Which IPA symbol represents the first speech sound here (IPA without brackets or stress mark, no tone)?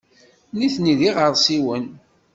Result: n